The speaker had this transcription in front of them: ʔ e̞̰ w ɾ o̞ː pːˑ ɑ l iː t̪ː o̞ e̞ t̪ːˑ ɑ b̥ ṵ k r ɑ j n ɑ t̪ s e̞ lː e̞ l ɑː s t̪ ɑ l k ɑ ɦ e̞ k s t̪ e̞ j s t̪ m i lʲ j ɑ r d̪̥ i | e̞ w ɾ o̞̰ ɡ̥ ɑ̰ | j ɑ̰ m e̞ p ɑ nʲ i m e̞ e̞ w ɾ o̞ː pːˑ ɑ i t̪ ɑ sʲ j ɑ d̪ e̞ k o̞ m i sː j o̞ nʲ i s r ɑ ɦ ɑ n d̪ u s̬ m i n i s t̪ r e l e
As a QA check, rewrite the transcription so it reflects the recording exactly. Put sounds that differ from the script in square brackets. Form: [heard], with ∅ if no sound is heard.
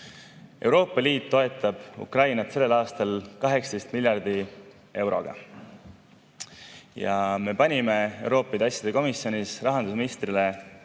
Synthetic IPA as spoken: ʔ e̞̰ w ɾ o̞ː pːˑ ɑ l iː t̪ː o̞ e̞ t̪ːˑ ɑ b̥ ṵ k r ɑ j n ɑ t̪ s e̞ lː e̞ l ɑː s t̪ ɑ l k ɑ ɦ e̞ k s t̪ e̞ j s t̪ m i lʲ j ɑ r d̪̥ i | e̞ w ɾ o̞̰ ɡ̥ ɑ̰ | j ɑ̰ m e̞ p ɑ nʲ i m e̞ e̞ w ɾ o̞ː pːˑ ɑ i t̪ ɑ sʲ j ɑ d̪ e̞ k o̞ m i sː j o̞ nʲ i s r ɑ ɦ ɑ n d̪ u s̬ m i n i s t̪ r [i] l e